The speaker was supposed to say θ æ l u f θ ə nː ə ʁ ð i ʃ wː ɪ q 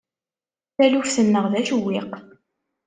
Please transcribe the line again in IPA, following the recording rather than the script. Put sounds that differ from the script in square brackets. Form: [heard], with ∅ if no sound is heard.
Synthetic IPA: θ æ l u f θ ə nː ə ʁ ð [æ] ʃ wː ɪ q